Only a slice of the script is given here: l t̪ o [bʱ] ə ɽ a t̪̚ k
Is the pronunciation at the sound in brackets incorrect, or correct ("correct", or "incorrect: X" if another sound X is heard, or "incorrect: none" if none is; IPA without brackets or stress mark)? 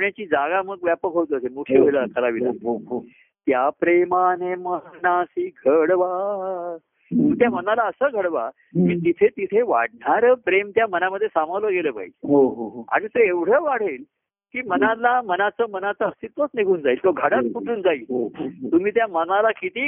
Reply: incorrect: ɡʱ